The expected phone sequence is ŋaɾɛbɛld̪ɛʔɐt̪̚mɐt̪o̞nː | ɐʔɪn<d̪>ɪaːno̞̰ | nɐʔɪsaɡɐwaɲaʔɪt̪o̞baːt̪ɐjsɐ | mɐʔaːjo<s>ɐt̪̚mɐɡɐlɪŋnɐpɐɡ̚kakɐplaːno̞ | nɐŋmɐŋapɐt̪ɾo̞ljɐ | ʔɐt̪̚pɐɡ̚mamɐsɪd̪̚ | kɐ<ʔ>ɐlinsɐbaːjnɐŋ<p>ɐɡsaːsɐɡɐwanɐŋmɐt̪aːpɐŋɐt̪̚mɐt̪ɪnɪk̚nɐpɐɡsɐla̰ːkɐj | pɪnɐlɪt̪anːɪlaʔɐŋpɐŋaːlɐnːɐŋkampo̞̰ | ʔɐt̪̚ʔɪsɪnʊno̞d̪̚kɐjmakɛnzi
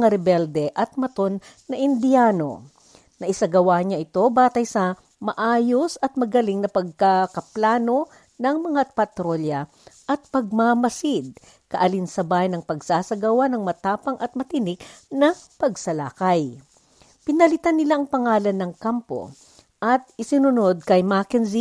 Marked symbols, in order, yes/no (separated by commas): yes, yes, yes, yes